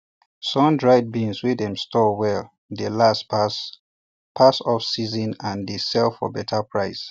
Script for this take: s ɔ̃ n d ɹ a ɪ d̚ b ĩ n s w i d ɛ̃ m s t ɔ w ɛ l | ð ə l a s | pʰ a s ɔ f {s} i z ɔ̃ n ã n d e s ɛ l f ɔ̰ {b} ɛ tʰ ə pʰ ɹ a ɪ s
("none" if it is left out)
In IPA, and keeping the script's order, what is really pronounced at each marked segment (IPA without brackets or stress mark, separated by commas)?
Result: s, b